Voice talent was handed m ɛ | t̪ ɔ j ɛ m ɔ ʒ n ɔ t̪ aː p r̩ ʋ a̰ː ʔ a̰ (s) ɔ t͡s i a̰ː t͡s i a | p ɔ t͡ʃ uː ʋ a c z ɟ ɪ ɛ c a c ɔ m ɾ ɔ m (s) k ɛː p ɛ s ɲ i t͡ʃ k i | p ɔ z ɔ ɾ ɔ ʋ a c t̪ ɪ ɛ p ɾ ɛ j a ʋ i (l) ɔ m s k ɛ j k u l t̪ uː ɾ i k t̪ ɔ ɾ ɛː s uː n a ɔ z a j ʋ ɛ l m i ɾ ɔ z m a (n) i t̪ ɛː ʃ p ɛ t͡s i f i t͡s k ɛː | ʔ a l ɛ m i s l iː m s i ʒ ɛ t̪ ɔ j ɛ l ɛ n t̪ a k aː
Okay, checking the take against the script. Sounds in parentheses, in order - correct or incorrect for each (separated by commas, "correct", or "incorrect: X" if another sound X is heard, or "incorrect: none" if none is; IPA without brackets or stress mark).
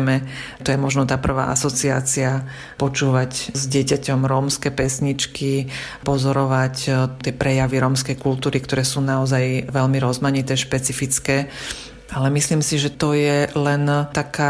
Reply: correct, correct, incorrect: ɾ, incorrect: ɲ